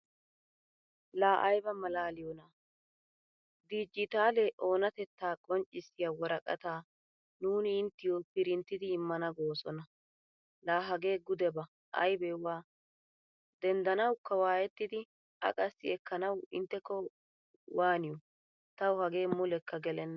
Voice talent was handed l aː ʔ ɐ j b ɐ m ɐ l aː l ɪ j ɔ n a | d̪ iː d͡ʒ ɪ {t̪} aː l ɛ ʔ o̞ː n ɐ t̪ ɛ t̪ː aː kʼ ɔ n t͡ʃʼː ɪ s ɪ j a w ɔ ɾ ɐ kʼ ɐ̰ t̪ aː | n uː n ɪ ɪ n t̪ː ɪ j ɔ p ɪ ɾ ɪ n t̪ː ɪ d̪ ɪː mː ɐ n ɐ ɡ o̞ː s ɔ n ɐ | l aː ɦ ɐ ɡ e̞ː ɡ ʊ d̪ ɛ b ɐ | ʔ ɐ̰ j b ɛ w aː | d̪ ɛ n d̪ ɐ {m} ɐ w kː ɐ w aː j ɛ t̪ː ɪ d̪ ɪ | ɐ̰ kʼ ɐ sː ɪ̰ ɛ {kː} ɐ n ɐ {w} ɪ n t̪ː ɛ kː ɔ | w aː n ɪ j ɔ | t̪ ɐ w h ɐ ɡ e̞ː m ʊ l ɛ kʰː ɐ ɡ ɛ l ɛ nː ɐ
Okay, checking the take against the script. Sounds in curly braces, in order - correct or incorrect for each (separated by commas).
correct, incorrect, correct, correct